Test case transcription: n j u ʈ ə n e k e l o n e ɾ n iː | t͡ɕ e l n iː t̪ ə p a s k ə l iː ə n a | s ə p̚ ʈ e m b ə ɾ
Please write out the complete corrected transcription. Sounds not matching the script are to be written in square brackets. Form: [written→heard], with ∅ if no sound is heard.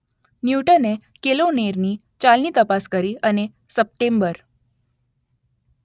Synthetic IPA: n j u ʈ ə n e k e l o n e ɾ n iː | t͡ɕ [e→a] l n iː t̪ ə p a s k ə [l→ɾ] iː ə n [a→e] | s ə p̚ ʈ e m b ə ɾ

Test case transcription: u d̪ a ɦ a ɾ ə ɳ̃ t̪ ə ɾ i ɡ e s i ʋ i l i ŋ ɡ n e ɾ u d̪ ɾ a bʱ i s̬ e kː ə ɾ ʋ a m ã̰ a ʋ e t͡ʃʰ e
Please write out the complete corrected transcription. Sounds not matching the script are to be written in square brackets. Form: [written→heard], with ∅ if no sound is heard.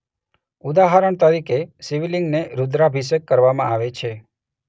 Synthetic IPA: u d̪ a ɦ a ɾ ə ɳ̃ t̪ ə ɾ i [ɡ→k] e s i ʋ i l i ŋ ɡ n e ɾ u d̪ ɾ a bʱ i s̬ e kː ə ɾ ʋ a m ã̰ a ʋ e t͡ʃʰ e

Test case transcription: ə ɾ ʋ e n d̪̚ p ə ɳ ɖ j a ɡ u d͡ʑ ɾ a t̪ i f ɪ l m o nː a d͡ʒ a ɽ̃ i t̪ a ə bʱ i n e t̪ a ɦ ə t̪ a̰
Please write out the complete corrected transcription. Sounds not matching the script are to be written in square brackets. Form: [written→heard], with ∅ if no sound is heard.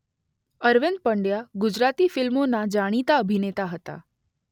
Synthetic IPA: ə ɾ ʋ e n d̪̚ p ə ɳ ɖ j a ɡ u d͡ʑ ɾ a t̪ i f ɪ l m o [nː→n] a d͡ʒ a ɽ̃ i t̪ a ə bʱ i n e t̪ a ɦ ə t̪ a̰

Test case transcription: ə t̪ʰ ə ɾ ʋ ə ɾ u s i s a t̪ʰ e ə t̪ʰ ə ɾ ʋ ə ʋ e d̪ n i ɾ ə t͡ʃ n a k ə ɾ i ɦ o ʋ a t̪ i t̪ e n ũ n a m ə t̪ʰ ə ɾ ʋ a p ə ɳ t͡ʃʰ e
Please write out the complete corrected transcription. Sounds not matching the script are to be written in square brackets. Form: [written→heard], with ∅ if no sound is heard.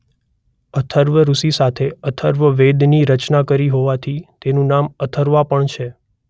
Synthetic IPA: ə t̪ʰ ə ɾ ʋ ə ɾ u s i s a t̪ʰ e ə t̪ʰ ə ɾ ʋ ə ʋ e d̪ n i ɾ ə t͡ʃ n a k ə ɾ i ɦ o ʋ a [t̪→t̪ʰ] i t̪ e n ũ n a m ə t̪ʰ ə ɾ ʋ a p ə ɳ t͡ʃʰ e

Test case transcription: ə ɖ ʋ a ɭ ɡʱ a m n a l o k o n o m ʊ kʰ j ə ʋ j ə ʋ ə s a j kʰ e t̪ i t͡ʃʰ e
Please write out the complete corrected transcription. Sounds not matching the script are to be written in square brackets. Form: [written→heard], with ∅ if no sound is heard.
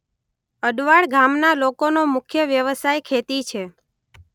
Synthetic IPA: ə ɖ ʋ a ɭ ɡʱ a m n a l o k o n o m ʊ kʰ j ə ʋ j ə ʋ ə s a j kʰ e t̪ i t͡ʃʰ e

